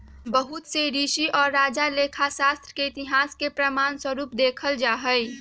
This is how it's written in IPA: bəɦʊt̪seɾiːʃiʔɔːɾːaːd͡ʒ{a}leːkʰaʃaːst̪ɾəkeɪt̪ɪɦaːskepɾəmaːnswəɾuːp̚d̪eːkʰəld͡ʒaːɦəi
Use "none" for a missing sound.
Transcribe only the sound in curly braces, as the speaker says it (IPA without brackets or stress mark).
a